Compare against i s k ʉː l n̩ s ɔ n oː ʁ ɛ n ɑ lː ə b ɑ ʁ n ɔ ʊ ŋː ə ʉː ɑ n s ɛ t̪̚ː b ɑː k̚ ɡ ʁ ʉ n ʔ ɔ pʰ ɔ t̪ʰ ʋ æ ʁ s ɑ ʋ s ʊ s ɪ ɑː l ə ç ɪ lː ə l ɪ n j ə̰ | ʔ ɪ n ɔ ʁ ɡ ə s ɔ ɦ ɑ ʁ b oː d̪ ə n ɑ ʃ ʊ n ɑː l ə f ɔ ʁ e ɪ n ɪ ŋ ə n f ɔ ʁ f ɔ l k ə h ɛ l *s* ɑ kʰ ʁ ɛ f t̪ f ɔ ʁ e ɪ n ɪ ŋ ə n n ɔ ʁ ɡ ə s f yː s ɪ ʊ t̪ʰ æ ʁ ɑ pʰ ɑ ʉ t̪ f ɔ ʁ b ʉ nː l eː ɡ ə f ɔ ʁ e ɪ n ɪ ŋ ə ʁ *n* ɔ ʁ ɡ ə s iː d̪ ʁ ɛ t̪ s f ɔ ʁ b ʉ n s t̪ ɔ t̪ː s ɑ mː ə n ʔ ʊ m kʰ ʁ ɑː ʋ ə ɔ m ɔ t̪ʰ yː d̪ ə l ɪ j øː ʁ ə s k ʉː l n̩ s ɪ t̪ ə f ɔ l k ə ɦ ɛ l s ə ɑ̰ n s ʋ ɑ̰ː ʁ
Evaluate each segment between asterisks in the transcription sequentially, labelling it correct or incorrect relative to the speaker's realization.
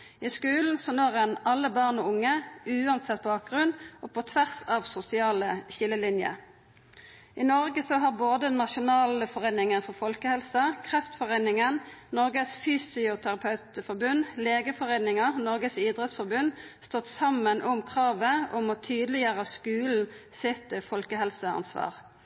correct, correct

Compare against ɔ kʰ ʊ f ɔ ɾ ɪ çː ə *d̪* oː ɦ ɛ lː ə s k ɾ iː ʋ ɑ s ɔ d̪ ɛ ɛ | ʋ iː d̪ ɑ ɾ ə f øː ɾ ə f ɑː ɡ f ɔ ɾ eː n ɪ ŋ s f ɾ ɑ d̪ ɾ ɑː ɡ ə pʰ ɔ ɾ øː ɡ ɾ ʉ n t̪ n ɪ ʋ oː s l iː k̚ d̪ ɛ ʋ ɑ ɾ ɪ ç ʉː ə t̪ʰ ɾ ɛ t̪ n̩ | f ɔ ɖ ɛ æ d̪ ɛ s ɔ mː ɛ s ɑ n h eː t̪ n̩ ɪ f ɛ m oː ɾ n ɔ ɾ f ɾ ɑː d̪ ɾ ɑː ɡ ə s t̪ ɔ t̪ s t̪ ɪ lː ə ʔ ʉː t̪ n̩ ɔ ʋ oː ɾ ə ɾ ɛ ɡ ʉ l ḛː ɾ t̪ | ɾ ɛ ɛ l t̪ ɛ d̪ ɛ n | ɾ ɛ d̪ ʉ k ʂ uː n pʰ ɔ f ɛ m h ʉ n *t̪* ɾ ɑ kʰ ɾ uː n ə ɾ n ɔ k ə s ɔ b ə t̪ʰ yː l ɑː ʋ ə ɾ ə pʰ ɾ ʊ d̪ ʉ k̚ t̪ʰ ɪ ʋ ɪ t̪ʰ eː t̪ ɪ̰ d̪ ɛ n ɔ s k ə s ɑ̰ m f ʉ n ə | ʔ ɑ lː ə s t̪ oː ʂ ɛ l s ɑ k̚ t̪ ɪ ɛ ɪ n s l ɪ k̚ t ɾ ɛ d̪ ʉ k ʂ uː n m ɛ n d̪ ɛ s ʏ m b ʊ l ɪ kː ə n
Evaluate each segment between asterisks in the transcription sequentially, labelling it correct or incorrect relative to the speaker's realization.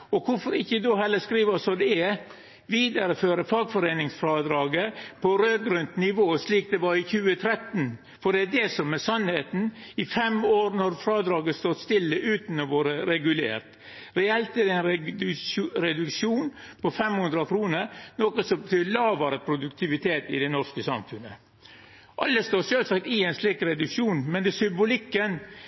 correct, incorrect: d̪

